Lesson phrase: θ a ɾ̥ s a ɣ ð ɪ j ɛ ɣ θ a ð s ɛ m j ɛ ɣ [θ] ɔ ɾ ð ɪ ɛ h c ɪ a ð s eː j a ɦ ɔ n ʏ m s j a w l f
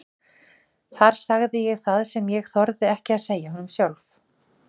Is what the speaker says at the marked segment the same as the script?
yes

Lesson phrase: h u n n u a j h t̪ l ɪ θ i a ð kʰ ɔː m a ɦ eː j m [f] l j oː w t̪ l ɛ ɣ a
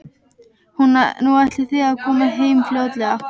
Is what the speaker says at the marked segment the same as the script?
yes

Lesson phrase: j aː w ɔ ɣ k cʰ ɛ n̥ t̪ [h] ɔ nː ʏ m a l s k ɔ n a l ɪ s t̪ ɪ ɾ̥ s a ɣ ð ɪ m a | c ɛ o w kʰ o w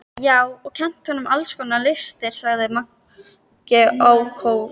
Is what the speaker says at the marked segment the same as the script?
yes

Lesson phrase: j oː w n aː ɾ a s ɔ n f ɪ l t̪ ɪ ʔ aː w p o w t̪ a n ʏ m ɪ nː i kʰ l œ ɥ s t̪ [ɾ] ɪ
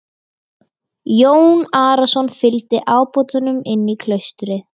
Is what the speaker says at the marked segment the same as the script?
yes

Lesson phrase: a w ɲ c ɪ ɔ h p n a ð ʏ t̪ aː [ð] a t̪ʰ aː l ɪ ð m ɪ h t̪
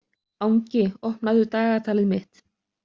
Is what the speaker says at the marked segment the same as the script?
no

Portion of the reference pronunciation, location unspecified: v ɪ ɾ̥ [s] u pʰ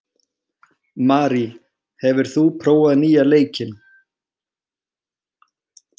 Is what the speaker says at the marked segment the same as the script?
no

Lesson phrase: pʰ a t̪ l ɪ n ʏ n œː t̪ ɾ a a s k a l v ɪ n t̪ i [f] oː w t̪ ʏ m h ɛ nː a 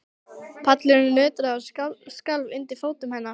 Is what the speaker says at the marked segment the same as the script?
yes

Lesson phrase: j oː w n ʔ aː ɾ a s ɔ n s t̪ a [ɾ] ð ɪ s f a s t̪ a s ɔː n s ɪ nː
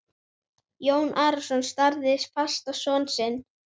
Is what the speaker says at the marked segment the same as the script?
yes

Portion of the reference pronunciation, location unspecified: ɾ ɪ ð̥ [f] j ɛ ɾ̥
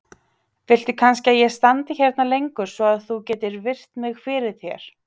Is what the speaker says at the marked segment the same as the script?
no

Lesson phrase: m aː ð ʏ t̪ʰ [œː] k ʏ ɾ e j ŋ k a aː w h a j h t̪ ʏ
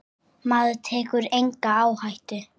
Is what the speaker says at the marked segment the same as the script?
no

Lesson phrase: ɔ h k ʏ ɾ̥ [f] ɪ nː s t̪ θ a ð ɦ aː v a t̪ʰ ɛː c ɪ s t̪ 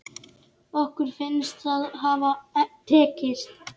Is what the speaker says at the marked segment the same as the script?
yes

